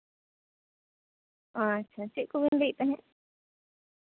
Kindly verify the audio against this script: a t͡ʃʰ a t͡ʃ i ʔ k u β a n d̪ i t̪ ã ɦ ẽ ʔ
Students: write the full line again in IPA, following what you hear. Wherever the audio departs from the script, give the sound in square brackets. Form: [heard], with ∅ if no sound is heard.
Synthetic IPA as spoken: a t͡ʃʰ a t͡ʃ i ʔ k u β [i] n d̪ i t̪ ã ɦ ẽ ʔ